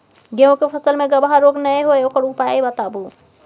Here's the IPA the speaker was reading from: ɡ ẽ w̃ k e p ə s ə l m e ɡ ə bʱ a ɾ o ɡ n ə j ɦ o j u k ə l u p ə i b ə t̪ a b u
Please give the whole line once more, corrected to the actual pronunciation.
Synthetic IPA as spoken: ɡ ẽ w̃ k e pʰ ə s ə l m e ɡ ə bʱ a ɾ o ɡ n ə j ɦ o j o k ə ɾ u p a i b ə t̪ a b u